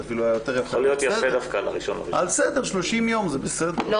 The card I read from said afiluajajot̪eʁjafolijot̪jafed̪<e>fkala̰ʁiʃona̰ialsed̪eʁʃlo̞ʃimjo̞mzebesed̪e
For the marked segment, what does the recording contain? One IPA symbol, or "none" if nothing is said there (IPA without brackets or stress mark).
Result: a